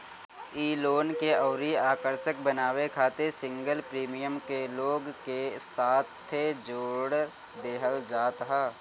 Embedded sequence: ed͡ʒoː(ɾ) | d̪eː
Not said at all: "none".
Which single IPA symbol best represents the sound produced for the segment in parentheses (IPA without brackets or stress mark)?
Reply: ɽ